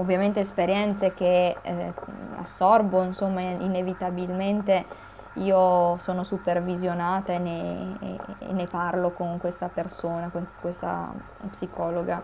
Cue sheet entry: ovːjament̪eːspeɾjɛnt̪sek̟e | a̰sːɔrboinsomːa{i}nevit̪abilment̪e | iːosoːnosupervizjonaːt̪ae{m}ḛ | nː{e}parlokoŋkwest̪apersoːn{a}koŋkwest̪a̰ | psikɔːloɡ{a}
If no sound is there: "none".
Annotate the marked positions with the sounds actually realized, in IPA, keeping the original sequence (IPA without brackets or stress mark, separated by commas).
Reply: i, n, e, a, a